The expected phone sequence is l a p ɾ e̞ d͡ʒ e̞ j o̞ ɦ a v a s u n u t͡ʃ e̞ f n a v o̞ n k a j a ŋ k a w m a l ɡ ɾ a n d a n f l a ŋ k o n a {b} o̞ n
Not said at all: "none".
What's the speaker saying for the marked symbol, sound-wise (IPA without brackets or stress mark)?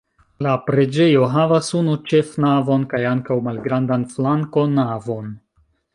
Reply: v